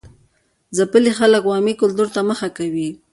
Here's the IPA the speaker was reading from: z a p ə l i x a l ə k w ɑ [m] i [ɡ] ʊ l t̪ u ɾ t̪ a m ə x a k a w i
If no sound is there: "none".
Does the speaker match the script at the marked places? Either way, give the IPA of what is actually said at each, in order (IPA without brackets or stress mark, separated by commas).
m, k